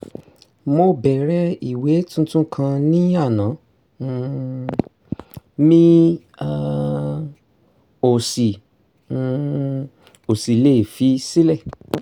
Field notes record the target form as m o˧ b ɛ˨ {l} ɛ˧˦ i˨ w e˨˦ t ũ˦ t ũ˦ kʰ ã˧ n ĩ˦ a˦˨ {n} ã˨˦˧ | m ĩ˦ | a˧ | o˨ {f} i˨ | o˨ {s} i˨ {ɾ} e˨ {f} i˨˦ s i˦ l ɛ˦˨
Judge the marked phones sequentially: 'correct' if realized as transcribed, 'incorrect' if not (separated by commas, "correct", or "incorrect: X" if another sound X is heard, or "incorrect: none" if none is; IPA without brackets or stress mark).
incorrect: ɾ, correct, incorrect: s, correct, incorrect: l, correct